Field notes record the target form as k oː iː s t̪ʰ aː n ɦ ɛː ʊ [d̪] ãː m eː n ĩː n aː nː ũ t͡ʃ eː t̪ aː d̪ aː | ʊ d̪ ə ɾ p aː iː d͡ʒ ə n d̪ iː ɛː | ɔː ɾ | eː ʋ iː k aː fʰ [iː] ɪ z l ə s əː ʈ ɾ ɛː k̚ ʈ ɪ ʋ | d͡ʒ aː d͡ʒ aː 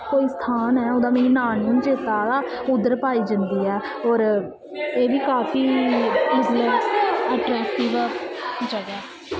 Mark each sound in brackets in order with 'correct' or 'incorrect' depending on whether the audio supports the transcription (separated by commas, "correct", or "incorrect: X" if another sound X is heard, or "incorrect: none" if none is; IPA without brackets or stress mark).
correct, correct